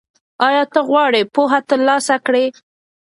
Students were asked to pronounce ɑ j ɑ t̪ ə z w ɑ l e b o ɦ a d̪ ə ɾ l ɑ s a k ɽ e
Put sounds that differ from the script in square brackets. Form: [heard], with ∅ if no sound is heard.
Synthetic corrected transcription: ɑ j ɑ t̪ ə [ɣ] w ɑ [ɽ] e [p] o ɦ a [t̪] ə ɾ l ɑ s a k ɽ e